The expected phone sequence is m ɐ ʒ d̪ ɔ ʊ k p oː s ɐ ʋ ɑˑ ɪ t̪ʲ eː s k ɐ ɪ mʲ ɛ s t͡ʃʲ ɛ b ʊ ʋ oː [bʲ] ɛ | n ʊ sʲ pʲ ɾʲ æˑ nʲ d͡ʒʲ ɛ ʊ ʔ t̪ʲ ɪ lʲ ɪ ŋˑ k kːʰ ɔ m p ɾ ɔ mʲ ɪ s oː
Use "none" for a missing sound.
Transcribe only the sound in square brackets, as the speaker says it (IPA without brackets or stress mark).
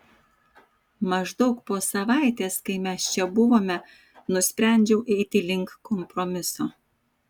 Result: mʲ